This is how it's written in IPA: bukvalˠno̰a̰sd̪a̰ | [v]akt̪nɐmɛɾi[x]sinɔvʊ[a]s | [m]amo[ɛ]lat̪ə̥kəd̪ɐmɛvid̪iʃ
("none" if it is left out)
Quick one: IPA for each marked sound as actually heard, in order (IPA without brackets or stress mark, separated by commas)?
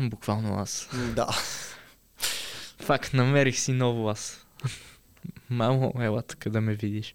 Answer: f, x, a, m, ɛ